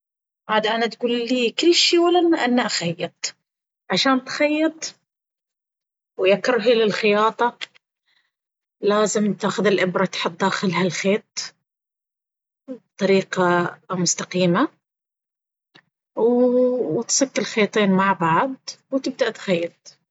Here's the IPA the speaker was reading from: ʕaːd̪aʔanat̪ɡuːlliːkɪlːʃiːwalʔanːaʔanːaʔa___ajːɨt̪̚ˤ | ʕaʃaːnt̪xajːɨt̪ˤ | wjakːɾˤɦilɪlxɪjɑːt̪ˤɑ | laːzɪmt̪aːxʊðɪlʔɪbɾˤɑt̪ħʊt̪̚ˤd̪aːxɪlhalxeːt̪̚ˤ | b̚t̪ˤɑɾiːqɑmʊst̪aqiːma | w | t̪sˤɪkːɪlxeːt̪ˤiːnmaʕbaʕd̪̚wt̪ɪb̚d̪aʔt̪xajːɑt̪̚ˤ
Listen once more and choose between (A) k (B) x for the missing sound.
B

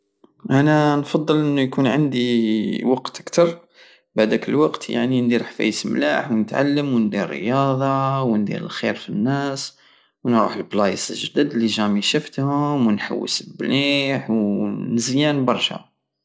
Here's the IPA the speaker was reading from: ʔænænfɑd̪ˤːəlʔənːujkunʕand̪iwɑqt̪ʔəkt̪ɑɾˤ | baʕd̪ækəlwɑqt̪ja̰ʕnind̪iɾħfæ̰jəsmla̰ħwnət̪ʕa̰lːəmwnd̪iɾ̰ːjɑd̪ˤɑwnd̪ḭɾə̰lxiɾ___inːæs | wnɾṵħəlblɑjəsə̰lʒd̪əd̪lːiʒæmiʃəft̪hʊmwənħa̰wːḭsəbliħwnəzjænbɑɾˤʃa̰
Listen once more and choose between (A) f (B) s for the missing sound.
A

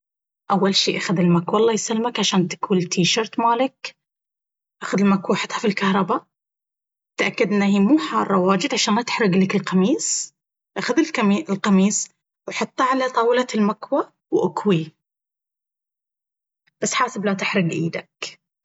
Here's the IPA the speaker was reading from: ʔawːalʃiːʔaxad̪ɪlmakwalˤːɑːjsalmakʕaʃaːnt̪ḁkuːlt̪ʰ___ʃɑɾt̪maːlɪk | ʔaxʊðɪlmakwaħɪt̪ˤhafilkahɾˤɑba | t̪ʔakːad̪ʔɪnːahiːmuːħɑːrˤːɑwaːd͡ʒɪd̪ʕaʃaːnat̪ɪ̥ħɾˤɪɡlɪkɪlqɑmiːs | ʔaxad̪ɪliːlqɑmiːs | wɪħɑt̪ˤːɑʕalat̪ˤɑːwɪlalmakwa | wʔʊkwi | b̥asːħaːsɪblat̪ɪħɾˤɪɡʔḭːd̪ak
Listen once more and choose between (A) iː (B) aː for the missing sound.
A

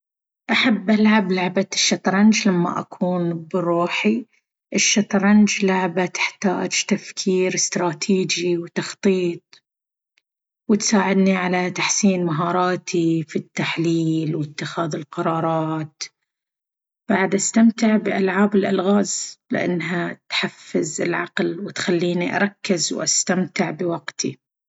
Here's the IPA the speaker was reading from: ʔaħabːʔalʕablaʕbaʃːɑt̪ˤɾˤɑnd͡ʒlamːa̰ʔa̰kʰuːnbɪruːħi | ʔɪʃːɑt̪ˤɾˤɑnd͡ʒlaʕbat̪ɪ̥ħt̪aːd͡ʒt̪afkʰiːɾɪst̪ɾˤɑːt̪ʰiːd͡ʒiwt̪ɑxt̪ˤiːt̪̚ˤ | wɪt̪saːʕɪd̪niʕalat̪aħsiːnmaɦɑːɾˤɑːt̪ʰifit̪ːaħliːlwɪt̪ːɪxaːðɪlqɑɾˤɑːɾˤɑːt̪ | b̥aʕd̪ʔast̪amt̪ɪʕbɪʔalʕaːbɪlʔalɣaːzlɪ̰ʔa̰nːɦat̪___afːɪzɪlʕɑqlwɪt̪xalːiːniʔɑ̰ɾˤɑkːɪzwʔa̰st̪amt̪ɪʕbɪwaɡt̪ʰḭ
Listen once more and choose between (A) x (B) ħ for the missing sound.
B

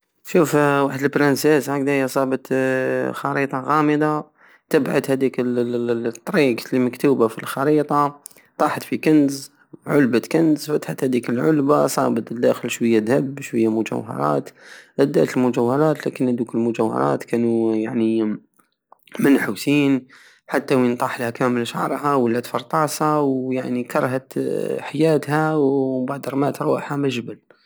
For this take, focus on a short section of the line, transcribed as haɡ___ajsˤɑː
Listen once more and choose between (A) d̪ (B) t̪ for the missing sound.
A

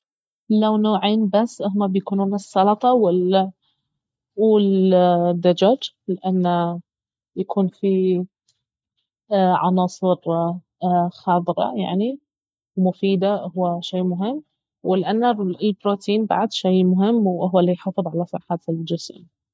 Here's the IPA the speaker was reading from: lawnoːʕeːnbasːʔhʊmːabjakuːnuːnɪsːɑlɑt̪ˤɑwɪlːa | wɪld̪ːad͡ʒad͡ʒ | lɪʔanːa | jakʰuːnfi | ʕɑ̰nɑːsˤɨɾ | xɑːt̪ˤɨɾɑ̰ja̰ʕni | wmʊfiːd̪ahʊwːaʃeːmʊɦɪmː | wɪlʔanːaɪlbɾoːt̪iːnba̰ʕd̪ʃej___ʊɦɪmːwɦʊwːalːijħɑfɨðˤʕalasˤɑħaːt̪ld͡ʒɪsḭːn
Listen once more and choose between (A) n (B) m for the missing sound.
B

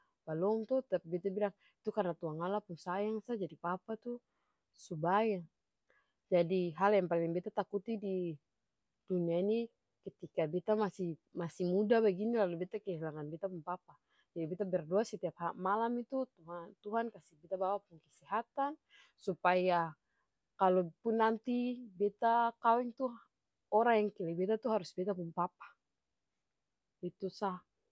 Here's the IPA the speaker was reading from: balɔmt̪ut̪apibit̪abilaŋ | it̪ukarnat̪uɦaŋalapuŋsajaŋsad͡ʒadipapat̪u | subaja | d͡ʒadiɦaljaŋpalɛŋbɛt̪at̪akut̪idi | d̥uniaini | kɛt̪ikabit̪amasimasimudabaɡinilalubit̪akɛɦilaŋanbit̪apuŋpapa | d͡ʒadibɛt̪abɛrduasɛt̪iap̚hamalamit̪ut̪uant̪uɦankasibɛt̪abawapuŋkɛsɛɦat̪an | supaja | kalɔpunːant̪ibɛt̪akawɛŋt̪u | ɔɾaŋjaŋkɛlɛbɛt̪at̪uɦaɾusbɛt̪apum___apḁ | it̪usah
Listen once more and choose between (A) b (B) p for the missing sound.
B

